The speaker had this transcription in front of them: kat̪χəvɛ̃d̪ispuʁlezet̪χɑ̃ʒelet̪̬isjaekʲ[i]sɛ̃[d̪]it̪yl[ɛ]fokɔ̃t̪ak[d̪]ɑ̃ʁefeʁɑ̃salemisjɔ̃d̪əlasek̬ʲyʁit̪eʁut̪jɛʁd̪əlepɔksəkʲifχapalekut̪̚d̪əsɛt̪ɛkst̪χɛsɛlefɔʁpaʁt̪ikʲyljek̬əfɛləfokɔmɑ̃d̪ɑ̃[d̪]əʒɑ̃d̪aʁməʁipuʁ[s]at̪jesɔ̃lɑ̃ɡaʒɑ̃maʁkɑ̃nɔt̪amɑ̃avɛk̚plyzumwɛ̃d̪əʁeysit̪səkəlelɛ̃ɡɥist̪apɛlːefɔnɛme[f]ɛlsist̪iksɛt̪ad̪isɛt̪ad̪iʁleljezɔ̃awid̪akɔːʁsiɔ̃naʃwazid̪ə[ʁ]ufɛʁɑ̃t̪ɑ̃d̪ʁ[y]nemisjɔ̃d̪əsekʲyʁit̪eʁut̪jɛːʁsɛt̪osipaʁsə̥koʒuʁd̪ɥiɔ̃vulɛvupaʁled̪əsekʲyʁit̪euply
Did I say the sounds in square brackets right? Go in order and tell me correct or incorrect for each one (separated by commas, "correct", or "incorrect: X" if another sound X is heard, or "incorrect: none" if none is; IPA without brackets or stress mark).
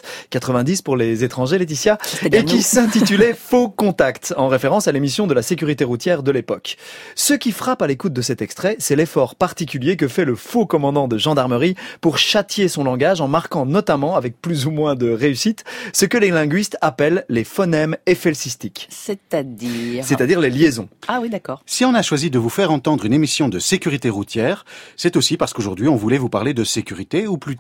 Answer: correct, incorrect: t̪, correct, incorrect: t̪, correct, incorrect: ʃ, correct, incorrect: v, correct